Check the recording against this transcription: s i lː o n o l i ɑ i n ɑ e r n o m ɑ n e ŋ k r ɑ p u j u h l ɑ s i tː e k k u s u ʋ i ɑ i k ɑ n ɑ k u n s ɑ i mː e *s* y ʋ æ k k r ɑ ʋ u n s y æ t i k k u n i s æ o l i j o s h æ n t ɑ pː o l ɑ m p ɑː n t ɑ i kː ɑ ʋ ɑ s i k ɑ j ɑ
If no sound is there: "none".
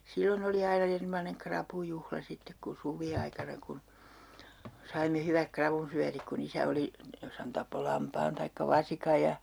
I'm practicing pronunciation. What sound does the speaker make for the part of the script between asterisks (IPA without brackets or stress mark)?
h